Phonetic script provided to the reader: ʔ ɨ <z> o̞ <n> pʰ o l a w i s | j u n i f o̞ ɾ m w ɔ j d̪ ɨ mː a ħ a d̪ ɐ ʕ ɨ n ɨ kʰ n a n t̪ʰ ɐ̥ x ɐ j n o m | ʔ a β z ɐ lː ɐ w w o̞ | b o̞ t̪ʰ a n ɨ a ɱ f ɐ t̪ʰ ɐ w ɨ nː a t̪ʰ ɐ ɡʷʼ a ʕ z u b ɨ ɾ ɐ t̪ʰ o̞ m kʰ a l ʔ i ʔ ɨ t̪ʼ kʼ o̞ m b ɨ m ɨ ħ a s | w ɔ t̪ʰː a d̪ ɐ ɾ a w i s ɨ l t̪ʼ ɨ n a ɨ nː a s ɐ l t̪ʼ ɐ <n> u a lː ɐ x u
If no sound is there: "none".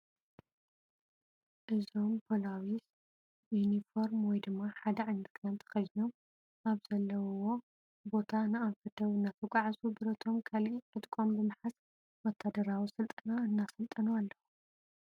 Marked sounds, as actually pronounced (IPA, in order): z, m, n

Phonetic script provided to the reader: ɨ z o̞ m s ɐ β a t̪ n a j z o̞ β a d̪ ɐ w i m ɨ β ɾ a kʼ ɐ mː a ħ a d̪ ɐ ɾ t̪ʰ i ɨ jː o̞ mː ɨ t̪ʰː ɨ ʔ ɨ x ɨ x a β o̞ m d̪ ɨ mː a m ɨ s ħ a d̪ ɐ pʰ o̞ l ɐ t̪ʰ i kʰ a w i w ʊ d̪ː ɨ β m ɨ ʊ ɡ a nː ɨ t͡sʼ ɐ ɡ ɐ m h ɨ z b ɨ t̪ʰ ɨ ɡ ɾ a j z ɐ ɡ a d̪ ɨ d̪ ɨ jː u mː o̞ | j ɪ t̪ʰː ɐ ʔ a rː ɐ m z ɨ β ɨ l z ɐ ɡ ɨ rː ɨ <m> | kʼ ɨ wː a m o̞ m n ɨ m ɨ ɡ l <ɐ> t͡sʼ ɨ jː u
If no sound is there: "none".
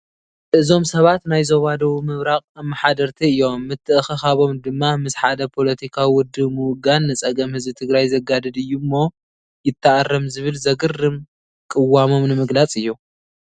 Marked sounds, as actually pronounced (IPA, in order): m, a

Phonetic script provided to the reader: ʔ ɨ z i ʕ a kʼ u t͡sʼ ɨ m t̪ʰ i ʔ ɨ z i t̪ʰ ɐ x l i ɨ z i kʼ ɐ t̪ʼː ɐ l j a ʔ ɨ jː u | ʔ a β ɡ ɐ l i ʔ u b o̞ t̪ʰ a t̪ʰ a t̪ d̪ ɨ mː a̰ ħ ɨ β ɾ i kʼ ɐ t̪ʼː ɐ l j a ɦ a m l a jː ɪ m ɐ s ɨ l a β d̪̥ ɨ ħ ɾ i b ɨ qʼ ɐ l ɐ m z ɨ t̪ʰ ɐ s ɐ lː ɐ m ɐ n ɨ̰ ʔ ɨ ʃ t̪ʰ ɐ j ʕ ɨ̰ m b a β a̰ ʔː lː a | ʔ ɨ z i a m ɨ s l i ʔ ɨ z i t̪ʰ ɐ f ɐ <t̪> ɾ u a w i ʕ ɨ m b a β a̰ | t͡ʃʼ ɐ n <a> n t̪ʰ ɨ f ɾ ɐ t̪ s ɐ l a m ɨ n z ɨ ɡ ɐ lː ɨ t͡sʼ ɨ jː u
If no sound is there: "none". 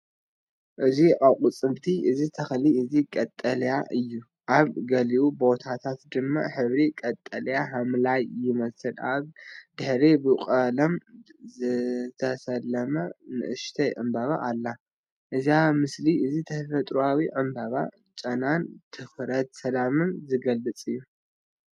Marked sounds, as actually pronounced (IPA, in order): t̪ʼ, a

